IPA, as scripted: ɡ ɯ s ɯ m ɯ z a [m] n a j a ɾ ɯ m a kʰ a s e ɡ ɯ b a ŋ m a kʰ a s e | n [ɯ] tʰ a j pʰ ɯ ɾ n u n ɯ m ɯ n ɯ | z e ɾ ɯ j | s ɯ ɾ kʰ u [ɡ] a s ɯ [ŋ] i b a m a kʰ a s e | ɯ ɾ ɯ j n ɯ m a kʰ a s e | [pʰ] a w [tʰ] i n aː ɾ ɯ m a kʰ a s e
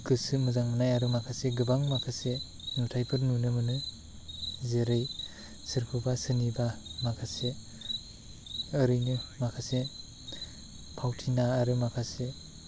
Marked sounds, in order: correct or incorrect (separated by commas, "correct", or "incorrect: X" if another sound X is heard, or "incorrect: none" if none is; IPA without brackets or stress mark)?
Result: incorrect: ŋ, incorrect: u, incorrect: b, incorrect: n, correct, correct